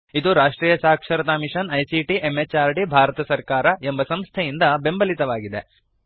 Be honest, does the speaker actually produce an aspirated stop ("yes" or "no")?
yes